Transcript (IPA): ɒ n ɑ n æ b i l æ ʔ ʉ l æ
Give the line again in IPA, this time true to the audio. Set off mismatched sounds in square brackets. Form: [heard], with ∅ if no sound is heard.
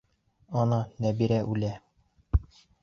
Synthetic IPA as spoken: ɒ n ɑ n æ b i [ɾ] æ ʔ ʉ l æ